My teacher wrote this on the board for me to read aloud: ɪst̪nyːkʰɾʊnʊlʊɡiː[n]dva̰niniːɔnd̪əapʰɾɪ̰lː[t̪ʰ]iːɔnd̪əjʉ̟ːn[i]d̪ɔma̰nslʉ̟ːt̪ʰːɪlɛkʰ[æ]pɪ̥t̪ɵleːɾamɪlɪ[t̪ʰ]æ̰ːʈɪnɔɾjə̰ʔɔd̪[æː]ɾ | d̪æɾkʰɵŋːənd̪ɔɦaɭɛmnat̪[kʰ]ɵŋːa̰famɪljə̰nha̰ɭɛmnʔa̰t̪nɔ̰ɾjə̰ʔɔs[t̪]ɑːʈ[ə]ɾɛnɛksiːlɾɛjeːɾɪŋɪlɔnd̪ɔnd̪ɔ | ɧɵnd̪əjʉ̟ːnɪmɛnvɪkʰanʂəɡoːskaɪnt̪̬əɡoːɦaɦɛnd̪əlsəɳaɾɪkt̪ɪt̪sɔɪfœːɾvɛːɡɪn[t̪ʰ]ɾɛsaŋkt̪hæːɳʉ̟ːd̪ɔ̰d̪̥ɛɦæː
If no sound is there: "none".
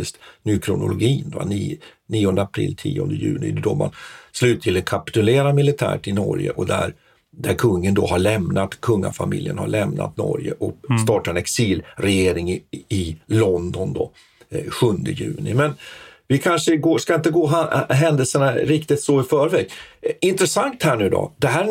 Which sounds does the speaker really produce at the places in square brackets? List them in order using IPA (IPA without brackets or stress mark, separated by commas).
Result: n, t̪ʰ, ɪ, a, t̪ʰ, æ, kʰ, t̪, a, t̪